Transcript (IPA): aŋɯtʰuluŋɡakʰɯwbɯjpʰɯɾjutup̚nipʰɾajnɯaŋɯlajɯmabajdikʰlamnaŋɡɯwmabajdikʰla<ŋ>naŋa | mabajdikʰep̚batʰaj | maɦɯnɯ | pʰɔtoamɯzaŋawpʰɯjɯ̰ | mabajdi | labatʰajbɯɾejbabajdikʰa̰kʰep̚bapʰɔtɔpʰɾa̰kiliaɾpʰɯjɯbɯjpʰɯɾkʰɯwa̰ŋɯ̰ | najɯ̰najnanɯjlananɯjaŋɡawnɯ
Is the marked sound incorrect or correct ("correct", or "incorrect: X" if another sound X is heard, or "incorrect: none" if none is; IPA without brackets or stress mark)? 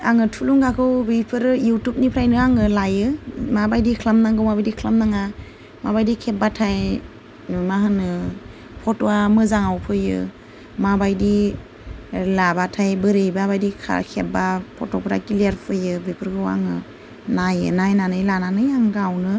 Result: incorrect: m